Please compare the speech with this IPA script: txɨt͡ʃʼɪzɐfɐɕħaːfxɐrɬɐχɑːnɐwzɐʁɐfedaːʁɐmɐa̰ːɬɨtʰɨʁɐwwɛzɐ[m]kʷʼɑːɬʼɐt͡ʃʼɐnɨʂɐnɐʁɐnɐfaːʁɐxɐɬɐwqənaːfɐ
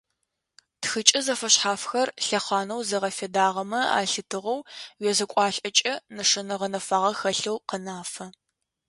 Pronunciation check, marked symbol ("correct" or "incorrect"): incorrect